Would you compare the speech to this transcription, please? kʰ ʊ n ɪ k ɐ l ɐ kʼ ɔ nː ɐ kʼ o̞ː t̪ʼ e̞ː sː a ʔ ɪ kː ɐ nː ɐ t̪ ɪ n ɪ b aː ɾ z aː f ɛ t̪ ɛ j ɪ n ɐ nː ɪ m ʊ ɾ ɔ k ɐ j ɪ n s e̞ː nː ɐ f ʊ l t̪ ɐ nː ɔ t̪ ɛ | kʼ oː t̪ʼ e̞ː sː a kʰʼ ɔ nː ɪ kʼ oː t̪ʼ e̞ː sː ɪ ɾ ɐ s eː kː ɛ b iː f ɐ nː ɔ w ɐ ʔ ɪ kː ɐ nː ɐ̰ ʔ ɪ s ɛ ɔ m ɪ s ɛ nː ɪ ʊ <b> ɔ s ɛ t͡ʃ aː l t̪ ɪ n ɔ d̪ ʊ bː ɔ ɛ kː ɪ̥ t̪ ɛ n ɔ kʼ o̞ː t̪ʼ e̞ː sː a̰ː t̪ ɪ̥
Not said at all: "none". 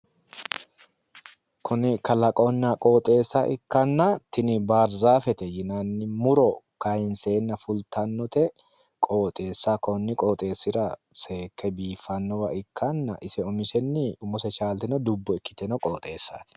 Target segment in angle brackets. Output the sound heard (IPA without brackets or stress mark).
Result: m